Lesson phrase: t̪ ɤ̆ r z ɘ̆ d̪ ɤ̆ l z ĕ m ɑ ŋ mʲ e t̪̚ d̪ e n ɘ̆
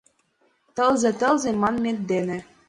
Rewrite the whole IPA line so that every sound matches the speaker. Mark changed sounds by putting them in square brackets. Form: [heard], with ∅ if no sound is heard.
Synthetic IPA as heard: t̪ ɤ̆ [l] z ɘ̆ [t̪] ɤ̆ l z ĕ m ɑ [n] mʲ e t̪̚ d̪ e n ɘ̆

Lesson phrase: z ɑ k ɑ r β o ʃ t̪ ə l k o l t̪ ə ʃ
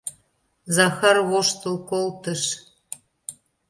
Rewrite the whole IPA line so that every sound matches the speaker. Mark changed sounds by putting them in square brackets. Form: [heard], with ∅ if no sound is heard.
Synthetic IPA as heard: z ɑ [x] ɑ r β o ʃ t̪ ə l k o l t̪ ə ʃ

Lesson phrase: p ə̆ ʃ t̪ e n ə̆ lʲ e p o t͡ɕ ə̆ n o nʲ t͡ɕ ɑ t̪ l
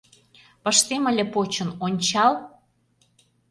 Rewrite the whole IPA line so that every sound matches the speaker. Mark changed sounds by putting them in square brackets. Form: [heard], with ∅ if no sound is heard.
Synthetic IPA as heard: p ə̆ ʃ t̪ e [m] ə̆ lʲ e p o t͡ɕ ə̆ n o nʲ t͡ɕ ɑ [∅] l

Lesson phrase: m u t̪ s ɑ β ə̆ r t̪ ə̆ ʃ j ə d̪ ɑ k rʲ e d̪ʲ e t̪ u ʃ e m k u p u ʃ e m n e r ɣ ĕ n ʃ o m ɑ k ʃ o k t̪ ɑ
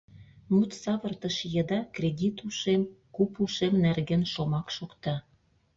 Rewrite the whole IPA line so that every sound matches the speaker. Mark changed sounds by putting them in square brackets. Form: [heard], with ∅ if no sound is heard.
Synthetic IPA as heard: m u t̪ s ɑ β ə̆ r t̪ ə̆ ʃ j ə d̪ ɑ k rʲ e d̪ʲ [i] t̪ u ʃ e m k u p u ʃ e m n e r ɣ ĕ n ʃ o m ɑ k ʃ o k t̪ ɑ

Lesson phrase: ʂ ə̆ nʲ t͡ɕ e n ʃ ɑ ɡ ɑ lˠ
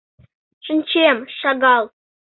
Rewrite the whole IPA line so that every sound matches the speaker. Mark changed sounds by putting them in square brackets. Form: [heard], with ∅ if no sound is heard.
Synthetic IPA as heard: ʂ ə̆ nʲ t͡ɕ e [m] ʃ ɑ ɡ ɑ lˠ

